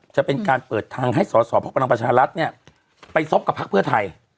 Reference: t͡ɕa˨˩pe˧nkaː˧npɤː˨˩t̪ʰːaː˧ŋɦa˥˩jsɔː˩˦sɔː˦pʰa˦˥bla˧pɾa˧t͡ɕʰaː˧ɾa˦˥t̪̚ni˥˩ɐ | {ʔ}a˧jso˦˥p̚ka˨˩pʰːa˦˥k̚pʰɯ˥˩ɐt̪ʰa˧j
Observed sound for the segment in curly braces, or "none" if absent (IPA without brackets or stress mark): p